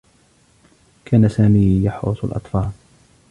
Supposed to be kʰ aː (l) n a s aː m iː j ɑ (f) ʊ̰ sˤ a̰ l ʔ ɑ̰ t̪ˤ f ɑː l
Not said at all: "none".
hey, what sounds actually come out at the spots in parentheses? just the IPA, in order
none, ħ

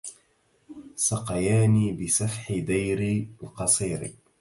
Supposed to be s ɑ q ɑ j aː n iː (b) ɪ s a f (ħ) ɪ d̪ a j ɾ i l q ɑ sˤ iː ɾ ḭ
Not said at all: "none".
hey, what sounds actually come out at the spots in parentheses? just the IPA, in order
b, ħ

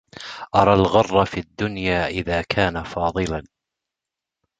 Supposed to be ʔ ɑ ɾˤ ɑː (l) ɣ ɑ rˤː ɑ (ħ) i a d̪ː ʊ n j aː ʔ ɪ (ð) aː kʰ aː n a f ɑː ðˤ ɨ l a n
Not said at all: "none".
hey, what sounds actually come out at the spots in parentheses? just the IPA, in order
l, f, ð

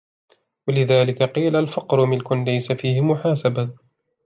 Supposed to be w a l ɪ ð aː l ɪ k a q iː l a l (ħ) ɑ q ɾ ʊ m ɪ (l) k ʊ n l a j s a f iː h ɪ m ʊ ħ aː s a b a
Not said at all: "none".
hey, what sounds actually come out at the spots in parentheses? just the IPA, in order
f, l

